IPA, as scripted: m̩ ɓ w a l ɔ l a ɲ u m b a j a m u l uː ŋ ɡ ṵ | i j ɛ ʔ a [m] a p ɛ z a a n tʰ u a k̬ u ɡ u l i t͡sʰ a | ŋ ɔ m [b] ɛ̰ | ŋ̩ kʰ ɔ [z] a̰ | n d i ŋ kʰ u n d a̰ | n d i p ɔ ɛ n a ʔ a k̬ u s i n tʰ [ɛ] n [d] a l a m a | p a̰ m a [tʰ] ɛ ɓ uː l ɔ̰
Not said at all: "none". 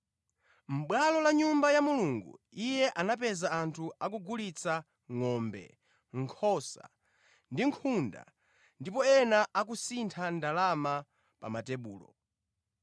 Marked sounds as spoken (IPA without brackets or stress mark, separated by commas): n, b, s, a, d, t